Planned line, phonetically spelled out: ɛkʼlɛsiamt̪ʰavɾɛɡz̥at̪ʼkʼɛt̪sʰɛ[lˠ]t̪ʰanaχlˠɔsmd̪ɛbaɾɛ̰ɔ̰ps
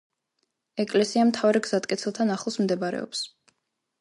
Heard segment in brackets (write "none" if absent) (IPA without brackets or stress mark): lˠ